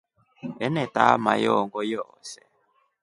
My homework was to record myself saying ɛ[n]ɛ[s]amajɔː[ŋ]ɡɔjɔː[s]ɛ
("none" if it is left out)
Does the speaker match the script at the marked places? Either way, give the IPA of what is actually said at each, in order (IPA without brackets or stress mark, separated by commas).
n, t, ŋ, s